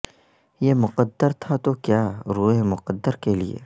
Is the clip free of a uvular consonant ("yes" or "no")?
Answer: no